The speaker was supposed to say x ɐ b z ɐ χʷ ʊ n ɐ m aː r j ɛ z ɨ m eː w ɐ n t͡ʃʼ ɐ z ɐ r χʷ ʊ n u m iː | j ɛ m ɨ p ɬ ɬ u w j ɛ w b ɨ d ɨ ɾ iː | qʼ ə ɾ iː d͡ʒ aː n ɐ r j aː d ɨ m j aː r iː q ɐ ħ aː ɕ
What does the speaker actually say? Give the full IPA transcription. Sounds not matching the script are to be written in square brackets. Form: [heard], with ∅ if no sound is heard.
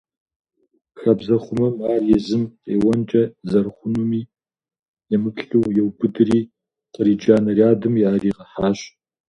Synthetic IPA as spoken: x ɐ b z ɐ χʷ ʊ [m] ɐ m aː r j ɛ z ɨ m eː w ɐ n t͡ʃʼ ɐ z ɐ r χʷ ʊ n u m iː | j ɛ m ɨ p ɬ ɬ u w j ɛ w b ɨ d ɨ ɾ iː | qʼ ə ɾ iː d͡ʒ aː n ɐ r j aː d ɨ m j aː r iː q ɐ ħ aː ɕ